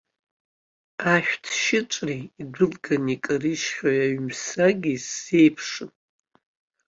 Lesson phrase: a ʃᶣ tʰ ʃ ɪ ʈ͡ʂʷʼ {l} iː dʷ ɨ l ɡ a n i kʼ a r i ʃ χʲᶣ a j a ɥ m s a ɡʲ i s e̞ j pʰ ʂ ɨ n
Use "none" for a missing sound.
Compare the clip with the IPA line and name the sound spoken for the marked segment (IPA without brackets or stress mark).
r